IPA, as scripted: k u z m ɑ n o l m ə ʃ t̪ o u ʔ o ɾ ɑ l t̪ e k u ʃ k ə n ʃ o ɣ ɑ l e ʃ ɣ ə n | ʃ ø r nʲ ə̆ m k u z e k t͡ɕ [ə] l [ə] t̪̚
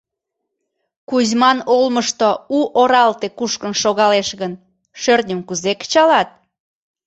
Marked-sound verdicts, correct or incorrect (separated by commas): incorrect, incorrect